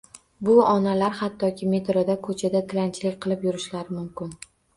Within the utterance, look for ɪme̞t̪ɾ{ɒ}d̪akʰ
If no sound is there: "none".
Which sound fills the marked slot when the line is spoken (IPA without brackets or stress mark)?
o